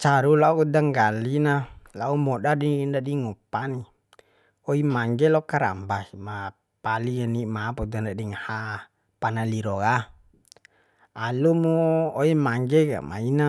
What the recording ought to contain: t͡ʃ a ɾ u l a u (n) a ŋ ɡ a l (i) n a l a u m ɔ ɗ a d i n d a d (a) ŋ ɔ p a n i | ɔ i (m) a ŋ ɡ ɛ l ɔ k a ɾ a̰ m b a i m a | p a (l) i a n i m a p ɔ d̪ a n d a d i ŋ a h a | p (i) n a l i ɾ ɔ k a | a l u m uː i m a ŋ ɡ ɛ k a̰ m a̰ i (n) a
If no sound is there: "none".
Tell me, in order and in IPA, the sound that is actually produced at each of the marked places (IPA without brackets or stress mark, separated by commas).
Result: d, i, i, m, l, a, n